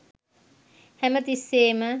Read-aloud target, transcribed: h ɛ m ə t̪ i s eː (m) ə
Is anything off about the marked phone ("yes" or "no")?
no